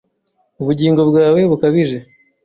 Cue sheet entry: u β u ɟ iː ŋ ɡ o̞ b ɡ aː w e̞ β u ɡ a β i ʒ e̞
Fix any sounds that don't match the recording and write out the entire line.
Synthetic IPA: u β u ɟ iː ŋ ɡ o̞ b ɡ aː w e̞ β u k a β i ʒ e̞